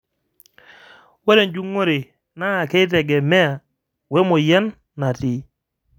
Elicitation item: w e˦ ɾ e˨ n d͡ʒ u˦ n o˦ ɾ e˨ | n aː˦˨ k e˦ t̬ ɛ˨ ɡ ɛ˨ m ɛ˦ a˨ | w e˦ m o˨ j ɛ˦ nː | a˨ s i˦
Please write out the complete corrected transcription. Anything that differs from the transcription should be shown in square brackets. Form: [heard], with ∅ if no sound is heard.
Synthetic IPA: w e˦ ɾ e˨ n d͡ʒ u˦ [ŋ] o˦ ɾ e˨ | n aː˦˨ k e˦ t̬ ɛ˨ ɡ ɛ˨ m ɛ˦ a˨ | w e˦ m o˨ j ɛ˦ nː | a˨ [t] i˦